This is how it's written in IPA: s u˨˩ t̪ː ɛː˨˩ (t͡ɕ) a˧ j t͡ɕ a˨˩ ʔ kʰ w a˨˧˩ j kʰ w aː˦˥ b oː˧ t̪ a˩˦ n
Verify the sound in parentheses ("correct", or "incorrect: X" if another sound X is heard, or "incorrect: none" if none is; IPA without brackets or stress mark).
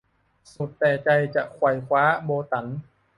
correct